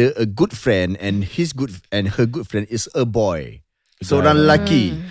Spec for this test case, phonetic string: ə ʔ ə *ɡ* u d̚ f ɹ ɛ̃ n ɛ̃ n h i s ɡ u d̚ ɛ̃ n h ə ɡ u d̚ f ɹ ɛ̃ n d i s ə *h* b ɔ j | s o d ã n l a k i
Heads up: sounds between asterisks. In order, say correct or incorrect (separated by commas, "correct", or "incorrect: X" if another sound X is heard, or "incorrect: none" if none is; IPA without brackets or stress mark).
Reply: correct, incorrect: none